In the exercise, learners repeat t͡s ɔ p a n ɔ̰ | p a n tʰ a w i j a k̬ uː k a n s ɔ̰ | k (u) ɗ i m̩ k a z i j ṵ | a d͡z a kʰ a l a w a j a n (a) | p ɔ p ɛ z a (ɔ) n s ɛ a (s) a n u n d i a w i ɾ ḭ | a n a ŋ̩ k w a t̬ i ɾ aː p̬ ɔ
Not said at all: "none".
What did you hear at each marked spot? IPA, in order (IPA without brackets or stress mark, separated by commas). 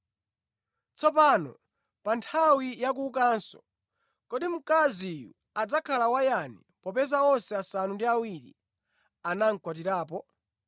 ɔ, i, ɔ, s